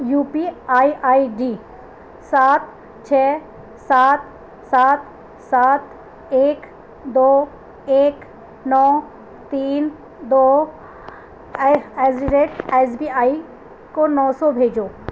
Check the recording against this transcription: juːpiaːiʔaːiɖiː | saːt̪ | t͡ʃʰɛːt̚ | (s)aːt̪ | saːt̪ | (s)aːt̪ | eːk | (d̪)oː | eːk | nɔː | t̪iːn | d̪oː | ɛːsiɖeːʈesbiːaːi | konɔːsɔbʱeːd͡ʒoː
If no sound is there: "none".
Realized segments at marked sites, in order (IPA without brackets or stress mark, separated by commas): s, s, d̪